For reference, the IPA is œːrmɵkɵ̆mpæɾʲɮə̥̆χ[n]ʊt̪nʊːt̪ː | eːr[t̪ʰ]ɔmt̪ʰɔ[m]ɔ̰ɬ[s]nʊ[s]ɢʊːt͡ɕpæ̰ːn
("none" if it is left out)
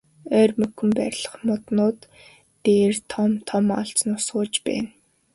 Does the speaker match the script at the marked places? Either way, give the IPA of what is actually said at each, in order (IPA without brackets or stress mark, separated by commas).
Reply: m, t̪ʰ, m, t͡s, s